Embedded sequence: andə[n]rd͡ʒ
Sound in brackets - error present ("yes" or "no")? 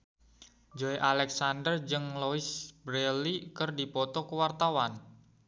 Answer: yes